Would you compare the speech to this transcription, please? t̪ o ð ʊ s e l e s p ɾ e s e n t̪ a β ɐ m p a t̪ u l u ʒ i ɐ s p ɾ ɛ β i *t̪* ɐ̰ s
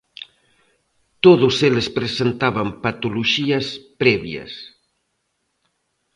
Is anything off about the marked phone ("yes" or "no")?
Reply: yes